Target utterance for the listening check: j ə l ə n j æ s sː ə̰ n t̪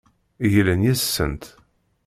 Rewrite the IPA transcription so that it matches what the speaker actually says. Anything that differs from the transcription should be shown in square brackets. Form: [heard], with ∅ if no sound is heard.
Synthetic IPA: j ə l ə n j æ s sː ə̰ n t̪